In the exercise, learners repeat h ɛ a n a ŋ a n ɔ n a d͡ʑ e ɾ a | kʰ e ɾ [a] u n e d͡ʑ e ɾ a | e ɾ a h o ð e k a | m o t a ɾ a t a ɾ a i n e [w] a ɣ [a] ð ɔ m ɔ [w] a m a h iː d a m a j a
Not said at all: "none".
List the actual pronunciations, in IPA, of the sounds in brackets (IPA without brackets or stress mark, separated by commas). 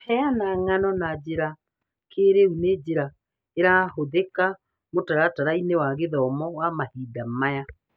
e, w, e, w